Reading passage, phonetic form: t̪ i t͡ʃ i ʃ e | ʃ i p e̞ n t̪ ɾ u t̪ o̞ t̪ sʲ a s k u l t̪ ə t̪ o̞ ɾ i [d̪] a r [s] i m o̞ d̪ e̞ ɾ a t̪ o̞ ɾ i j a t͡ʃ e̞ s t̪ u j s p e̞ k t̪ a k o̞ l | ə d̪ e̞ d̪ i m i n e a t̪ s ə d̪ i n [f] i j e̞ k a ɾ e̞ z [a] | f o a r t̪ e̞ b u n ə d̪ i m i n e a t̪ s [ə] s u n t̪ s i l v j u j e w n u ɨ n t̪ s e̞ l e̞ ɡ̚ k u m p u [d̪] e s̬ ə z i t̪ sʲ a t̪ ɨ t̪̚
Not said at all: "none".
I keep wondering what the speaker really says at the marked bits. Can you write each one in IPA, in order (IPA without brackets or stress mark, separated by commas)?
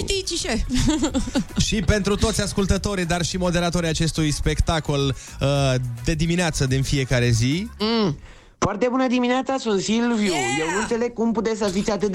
d̪, ʃ, f, i, a, t̪